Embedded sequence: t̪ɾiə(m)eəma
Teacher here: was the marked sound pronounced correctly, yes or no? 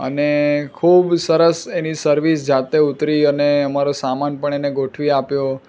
no